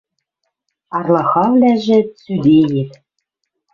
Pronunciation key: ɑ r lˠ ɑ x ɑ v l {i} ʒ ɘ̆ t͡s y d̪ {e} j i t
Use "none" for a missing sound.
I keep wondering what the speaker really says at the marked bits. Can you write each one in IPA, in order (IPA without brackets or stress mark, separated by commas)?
æ, e